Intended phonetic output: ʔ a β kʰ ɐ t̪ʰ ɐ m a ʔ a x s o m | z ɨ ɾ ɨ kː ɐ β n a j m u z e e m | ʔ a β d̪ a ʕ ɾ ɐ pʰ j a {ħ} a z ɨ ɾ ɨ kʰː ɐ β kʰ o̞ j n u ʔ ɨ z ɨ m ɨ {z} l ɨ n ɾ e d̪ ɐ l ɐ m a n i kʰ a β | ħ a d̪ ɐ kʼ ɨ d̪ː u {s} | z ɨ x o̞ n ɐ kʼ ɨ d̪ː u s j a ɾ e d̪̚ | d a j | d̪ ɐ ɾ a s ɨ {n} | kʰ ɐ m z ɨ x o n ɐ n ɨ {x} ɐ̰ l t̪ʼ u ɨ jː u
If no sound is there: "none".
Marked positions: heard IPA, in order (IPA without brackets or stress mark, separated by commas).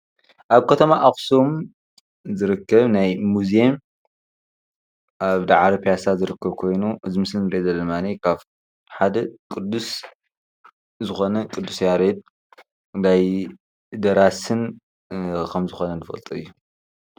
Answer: s, s, s, n, f